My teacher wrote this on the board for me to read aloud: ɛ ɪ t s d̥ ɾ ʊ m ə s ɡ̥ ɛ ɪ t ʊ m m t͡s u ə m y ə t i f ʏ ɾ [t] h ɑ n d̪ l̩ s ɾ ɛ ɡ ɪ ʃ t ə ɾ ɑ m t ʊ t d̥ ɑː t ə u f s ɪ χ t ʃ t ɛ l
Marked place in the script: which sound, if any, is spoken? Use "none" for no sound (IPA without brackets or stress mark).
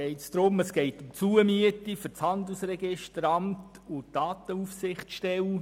t͡s